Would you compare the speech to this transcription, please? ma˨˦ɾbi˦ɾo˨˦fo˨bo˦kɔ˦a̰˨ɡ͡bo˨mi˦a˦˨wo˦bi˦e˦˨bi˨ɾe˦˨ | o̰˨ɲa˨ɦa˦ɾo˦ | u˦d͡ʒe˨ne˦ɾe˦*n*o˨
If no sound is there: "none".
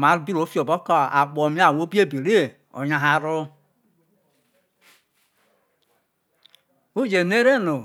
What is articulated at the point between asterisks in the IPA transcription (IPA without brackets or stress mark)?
n